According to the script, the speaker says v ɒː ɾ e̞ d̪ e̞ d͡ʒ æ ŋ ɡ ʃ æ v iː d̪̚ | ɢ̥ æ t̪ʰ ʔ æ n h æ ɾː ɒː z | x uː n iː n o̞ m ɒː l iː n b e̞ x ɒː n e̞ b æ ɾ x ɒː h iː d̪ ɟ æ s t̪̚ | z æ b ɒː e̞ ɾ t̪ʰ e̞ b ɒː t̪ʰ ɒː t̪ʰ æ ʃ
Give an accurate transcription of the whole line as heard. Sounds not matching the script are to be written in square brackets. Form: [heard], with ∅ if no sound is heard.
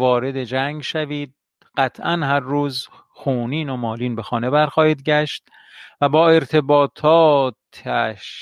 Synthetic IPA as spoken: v ɒː ɾ e̞ d̪ e̞ d͡ʒ æ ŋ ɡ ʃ æ v iː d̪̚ | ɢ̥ æ t̪ʰ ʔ æ n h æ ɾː [uː] z | x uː n iː n o̞ m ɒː l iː n b e̞ x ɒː n e̞ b æ ɾ x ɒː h iː d̪ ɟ æ [ʃ] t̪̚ | [v] æ b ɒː e̞ ɾ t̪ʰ e̞ b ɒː t̪ʰ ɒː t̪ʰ æ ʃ